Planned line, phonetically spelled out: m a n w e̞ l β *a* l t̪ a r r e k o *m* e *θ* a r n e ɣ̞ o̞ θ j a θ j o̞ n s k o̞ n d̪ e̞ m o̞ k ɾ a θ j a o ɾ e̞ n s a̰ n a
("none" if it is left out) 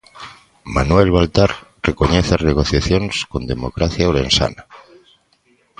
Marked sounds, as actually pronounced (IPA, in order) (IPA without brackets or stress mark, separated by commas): a, ɲ, θ